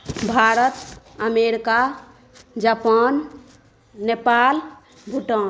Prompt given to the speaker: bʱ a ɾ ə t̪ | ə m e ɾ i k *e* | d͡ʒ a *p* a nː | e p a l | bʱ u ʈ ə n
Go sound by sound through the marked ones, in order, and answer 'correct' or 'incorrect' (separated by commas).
incorrect, correct